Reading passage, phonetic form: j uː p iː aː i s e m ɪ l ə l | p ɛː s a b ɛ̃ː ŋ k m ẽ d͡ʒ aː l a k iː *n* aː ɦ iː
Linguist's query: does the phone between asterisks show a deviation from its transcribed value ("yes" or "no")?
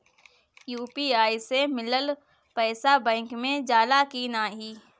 no